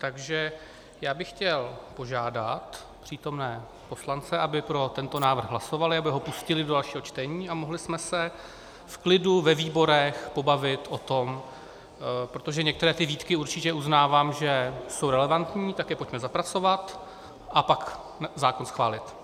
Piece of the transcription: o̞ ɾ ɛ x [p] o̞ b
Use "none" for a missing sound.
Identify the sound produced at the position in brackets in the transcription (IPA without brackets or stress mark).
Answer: p